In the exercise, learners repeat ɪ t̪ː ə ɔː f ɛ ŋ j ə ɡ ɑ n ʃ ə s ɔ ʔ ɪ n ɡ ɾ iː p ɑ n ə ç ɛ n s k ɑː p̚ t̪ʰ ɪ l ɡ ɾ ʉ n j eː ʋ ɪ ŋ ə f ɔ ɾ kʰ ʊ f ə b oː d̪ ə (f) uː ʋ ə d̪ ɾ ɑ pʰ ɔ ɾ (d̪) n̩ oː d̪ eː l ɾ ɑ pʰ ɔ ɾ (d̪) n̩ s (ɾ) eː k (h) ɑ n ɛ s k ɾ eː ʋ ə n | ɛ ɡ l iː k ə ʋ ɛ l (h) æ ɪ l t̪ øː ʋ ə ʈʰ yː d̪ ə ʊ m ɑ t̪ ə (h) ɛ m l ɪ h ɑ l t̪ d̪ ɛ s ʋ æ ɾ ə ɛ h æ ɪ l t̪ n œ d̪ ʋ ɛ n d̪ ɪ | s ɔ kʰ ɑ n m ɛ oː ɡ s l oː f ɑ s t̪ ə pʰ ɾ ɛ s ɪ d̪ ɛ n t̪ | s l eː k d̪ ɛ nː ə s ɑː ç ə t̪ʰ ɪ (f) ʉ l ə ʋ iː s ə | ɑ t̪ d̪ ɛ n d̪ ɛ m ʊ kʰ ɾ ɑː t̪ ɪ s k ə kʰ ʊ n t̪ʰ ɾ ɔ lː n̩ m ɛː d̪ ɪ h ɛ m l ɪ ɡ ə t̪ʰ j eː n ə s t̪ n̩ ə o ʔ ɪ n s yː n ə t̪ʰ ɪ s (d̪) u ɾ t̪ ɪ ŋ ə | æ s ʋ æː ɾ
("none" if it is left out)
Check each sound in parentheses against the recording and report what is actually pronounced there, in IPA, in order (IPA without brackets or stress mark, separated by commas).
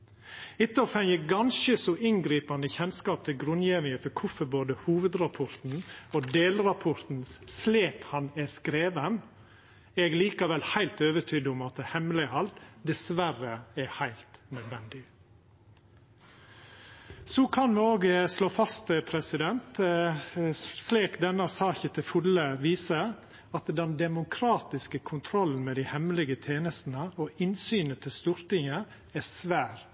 h, t̪, t̪, l, h, h, h, f, t̪